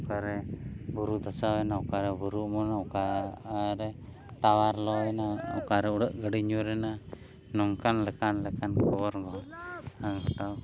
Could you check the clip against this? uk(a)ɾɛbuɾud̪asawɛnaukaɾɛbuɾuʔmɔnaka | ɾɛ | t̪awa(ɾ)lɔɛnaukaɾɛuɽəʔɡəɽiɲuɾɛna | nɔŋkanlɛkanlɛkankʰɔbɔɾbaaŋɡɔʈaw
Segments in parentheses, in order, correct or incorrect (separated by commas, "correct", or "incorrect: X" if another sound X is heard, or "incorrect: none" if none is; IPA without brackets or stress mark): correct, correct